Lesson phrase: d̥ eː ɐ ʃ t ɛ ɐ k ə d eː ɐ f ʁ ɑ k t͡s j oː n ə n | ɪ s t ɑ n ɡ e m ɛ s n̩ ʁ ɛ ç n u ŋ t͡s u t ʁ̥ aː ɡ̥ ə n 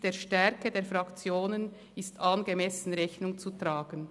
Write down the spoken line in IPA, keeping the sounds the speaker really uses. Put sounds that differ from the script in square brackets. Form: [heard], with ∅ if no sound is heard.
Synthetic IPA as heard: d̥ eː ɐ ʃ t ɛ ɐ k ə d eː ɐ f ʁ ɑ k t͡s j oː n ə n | ɪ s t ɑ n ɡ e m ɛ s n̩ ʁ ɛ ç n [ʊ] ŋ t͡s u t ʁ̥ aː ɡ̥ ə n